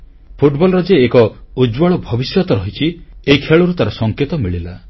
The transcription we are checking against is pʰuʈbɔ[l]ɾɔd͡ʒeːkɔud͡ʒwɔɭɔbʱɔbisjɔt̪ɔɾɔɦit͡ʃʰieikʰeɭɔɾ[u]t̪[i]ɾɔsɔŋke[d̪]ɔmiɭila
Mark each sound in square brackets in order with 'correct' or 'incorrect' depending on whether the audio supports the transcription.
correct, correct, incorrect: a, incorrect: t̪

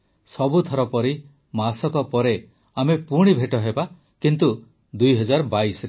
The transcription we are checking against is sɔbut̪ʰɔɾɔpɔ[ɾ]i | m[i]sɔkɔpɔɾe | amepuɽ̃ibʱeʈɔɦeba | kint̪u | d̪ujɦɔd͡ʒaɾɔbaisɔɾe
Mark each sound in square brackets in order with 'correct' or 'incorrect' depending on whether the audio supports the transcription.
correct, incorrect: a

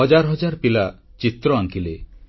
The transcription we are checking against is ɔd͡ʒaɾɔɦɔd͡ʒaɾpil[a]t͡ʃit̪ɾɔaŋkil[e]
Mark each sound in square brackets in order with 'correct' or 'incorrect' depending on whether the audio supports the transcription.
correct, correct

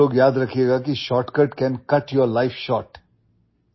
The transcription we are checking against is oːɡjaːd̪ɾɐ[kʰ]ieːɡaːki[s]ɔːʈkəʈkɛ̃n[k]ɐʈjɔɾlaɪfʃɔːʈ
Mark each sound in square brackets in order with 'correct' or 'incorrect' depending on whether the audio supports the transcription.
correct, incorrect: ʃ, correct

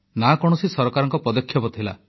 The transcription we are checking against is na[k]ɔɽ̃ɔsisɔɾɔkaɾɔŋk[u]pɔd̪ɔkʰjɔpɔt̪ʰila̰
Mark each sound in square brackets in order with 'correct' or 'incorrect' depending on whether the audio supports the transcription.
correct, incorrect: ɔ

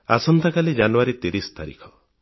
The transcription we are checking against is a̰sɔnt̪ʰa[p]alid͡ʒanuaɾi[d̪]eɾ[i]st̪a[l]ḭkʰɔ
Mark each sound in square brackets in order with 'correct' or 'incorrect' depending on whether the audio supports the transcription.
incorrect: k, incorrect: t̪, correct, incorrect: ɾ

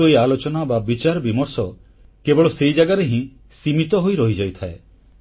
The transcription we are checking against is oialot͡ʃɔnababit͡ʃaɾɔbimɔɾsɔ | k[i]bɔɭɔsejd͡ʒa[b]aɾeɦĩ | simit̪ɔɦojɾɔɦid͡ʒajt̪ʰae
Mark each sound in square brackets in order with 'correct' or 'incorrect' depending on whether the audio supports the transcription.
incorrect: e, incorrect: ɡ

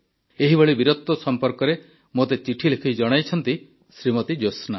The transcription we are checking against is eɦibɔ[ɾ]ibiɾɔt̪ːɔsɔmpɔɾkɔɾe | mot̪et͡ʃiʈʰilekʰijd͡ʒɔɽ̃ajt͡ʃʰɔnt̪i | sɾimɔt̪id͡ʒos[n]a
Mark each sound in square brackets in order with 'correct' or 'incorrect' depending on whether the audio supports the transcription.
incorrect: ɭ, correct

